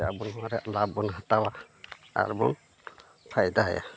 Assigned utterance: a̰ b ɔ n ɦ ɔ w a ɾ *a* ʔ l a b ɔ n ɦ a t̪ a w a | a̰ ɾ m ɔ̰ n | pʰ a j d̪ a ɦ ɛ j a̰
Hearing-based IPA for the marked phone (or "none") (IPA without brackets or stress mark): ɛ